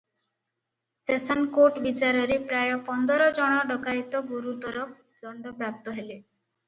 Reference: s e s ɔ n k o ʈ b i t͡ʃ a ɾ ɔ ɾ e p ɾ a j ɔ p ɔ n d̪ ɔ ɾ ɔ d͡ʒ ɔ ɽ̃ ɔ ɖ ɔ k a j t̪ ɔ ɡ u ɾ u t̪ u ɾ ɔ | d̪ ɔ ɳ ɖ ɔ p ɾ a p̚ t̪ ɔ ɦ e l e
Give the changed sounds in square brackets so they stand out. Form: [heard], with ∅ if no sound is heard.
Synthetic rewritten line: s e s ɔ n k o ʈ b i t͡ʃ a ɾ ɔ ɾ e p ɾ a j ɔ p ɔ n d̪ ɔ ɾ ɔ d͡ʒ ɔ ɽ̃ ɔ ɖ ɔ k a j t̪ ɔ ɡ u ɾ u t̪ [ɔ] ɾ ɔ | d̪ ɔ ɳ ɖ ɔ p ɾ a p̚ t̪ ɔ ɦ e l e

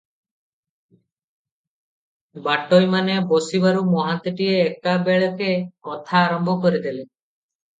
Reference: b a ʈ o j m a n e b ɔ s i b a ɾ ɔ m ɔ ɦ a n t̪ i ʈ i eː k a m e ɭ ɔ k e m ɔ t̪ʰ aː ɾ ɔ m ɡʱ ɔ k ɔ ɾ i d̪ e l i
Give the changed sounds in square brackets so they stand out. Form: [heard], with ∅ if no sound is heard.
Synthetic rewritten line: b a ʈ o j m a n e b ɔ s i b a ɾ [u] m ɔ ɦ a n t̪ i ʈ i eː k a [b] e ɭ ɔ k e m ɔ t̪ʰ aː ɾ ɔ m [bʱ] ɔ k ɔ ɾ i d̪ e l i

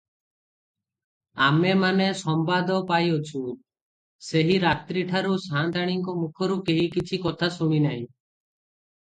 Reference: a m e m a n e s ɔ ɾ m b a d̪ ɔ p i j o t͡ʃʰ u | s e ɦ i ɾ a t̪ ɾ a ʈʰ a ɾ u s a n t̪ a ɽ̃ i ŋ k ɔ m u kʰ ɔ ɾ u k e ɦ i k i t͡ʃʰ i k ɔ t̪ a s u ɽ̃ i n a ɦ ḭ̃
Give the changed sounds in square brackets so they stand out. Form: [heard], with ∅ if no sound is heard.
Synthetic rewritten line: a m e m a n e s ɔ [∅] m b a d̪ ɔ p [a] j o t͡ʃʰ u | s e ɦ i ɾ a t̪ ɾ [i] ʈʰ a ɾ u s a n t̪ a ɽ̃ i ŋ k ɔ m u kʰ ɔ ɾ u k e ɦ i k i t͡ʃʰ i k ɔ [t̪ʰ] a s u ɽ̃ i n a ɦ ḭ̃

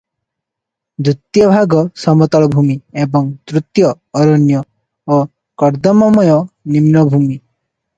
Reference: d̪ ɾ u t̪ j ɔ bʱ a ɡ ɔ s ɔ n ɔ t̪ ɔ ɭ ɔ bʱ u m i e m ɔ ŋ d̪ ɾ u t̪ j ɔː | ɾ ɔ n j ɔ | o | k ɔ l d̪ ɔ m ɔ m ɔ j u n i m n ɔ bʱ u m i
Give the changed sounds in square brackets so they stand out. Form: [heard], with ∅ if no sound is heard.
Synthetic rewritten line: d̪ ɾ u t̪ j ɔ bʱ a ɡ ɔ s ɔ [m] ɔ t̪ ɔ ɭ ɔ bʱ u m i e [b] ɔ ŋ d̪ ɾ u t̪ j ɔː | ɾ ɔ n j ɔ | o | k ɔ [ɾ] d̪ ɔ m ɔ m ɔ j [ɔ] n i m n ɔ bʱ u m i

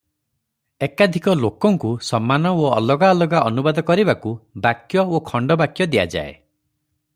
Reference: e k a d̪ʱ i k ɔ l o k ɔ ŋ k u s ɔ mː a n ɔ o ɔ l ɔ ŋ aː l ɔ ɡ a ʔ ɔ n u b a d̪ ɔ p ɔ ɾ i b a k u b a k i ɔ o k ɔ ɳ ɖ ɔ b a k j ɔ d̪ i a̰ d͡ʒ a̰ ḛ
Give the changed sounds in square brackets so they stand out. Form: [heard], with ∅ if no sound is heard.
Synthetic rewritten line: e k a d̪ʱ i k ɔ l o k ɔ ŋ k u s ɔ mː a n ɔ o ɔ l ɔ [ɡ] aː l ɔ ɡ a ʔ ɔ n u b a d̪ ɔ [k] ɔ ɾ i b a k u b a k [j] ɔ o [kʰ] ɔ ɳ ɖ ɔ b a k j ɔ d̪ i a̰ d͡ʒ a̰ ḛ

